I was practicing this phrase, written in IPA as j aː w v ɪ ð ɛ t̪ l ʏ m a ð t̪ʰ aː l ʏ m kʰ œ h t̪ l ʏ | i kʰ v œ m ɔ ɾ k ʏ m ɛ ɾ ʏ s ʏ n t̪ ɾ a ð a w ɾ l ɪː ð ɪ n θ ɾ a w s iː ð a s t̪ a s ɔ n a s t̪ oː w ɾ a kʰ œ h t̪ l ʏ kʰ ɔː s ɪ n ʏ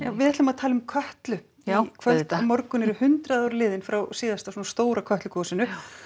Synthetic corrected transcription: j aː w v ɪ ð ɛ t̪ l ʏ m a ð t̪ʰ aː l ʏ m kʰ œ h t̪ l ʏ | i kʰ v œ m ɔ ɾ k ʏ n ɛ ɾ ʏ h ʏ n t̪ ɾ a ð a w ɾ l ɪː ð ɪ n f ɾ a w s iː ð a s t̪ a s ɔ n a s t̪ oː w ɾ a kʰ œ h t̪ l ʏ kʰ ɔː s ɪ n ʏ